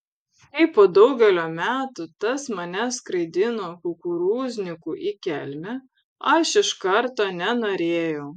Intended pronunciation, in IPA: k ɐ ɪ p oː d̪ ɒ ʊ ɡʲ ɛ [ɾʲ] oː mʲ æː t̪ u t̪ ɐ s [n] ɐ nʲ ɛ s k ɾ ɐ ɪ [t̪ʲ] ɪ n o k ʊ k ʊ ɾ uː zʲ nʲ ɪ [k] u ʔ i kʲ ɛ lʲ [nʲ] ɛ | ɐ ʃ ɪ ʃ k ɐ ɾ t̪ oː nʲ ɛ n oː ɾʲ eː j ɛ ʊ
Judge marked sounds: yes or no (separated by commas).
no, no, no, yes, no